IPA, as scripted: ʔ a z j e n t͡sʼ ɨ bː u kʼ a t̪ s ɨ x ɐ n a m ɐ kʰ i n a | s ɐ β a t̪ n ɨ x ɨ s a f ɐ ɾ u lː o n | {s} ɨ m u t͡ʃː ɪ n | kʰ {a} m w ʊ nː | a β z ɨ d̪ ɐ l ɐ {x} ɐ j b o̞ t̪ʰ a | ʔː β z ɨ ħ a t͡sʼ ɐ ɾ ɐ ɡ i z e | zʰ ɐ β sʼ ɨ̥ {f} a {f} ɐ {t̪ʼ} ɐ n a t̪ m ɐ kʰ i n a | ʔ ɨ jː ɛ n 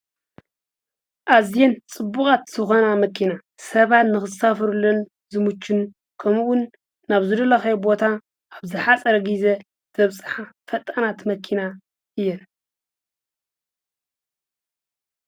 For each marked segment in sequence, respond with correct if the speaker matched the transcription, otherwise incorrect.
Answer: incorrect: z, incorrect: ɐ, correct, incorrect: ħ, correct, correct

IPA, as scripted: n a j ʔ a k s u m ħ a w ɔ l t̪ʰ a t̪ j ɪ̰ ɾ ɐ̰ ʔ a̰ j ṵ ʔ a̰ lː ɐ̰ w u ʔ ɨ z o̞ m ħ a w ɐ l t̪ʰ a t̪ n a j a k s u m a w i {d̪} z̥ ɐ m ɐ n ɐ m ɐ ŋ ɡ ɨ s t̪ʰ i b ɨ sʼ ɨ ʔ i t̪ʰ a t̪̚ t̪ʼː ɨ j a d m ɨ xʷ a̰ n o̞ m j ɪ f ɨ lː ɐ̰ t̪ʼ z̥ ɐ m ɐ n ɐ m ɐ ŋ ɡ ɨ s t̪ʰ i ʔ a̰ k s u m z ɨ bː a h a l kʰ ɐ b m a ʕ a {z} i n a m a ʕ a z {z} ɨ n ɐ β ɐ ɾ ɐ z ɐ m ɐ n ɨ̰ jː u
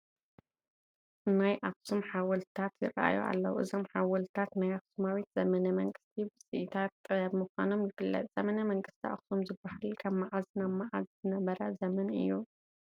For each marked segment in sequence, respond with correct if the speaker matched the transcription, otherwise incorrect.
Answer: incorrect: t̪, correct, correct

